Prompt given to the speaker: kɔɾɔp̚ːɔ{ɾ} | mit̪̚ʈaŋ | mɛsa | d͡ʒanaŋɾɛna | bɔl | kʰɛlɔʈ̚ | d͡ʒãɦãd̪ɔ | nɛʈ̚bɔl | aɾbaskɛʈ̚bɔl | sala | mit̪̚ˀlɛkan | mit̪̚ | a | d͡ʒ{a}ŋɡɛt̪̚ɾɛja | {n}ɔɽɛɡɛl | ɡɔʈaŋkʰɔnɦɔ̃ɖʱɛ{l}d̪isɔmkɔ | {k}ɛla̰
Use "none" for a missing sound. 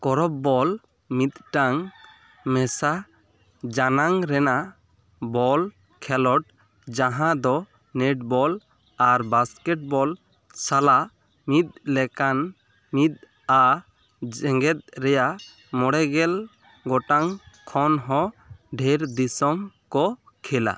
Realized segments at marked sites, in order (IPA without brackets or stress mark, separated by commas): l, ɛ, m, ɾ, kʰ